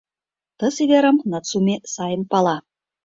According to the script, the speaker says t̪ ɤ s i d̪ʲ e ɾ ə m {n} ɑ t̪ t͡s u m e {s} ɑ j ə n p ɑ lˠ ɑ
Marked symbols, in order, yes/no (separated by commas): yes, yes